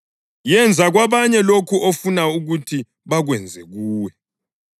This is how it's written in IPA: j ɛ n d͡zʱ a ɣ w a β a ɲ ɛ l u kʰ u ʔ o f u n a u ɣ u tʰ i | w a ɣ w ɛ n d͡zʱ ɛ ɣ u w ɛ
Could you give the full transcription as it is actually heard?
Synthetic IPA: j ɛ n d͡zʱ a ɣ w a β a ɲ ɛ l o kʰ u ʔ o f u n a u ɣ u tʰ i | β a ɣ w ɛ n d͡zʱ ɛ ɣ uː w ɛ